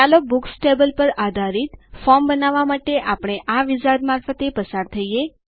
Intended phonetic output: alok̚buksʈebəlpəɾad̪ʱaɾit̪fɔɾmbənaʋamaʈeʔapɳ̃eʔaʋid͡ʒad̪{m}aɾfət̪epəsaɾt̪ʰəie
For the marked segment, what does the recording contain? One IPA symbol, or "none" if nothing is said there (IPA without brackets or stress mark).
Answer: m